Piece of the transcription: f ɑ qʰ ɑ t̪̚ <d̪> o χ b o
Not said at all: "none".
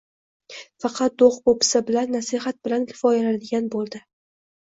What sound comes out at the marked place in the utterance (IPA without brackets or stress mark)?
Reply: d̪